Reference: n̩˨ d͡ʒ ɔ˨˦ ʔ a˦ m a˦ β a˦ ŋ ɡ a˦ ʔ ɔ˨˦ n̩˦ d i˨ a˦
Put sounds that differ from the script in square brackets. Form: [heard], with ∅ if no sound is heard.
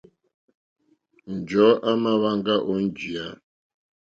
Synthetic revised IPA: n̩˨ d͡ʒ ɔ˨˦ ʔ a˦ m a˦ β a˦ ŋ ɡ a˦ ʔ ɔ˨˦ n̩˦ [d͡ʒ] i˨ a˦